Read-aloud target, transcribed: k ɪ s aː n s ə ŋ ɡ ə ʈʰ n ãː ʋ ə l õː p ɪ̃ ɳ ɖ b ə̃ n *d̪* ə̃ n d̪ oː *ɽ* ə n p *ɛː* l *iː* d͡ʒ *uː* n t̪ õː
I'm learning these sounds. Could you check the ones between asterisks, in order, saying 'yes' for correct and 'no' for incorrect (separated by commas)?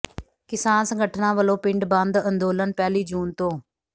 yes, no, yes, yes, yes